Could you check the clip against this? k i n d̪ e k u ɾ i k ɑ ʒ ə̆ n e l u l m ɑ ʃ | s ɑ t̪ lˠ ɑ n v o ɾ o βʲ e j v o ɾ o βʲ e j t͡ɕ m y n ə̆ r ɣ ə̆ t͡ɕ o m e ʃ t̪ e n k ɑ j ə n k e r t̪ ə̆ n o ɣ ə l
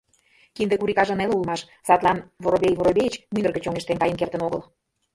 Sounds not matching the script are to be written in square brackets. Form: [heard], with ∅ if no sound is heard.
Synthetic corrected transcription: k i n d̪ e k u ɾ i k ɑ ʒ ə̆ n e l u l m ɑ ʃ | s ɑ t̪ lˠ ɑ n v o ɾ o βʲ e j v o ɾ o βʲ e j t͡ɕ m y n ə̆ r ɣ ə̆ t͡ɕ o [ŋ] e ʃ t̪ e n k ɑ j ə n k e r t̪ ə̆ n o ɣ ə l

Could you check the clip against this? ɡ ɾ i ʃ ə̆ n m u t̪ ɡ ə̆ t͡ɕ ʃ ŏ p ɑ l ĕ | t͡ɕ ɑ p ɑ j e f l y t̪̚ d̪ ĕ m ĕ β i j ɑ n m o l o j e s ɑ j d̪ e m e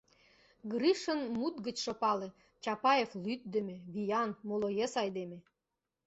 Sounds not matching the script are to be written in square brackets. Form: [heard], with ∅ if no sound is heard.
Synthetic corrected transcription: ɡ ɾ i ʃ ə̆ n m u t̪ ɡ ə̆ t͡ɕ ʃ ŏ p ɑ l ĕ | t͡ɕ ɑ p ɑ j e f l y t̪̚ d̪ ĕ m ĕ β i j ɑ n m o l o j e s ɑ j d̪ e m e

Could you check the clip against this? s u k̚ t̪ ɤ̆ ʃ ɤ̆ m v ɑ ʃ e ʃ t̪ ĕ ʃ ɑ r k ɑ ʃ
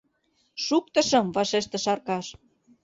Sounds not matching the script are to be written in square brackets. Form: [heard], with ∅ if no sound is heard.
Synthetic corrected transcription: [ʃ] u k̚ t̪ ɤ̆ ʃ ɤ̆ m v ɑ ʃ e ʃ t̪ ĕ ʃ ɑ r k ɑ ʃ

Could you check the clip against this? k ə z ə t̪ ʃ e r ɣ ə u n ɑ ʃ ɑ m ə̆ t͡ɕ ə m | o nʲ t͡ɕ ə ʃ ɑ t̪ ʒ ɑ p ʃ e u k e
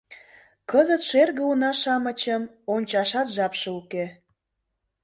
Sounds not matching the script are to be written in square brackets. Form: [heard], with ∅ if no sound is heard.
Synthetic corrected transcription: k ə z ə t̪ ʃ e r ɣ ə u n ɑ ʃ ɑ m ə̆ t͡ɕ ə m | o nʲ t͡ɕ [ɑ] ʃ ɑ t̪ ʒ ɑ p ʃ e u k e

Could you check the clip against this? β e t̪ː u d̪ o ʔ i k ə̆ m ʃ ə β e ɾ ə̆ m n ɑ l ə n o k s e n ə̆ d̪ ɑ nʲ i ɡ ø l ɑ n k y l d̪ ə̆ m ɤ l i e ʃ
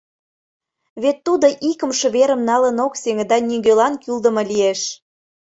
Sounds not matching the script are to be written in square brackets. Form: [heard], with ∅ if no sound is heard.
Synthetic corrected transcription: β e t̪ː u d̪ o ʔ i k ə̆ m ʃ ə β e ɾ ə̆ m n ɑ l ə n o k s e [ŋ] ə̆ d̪ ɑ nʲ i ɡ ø l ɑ n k y l d̪ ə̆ m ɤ l i e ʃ

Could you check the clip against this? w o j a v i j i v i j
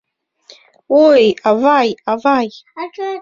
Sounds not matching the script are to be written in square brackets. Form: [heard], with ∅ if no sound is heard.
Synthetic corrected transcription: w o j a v [a] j [a] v [a] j

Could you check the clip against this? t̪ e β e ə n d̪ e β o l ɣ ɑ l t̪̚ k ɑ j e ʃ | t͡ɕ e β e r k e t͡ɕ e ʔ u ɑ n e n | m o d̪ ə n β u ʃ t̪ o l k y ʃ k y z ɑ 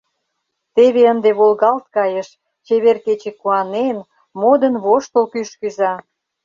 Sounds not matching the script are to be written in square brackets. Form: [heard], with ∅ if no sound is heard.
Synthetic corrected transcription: t̪ e β e ə n d̪ e β o l ɣ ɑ l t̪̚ k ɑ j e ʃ | t͡ɕ e β e r k e t͡ɕ e [k] u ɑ n e n | m o d̪ ə n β [o] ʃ t̪ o l k y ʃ k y z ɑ

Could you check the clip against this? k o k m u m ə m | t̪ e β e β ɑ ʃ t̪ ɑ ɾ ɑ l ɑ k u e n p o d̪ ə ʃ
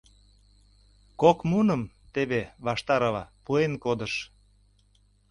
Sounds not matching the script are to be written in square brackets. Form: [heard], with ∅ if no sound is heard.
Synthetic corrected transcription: k o k m u [n] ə m | t̪ e β e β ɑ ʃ t̪ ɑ ɾ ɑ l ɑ [p] u e n [k] o d̪ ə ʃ

